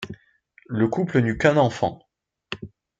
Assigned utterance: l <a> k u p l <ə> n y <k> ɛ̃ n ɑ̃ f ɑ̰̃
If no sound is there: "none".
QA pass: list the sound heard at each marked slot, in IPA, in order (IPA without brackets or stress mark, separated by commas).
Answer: ə, ə, k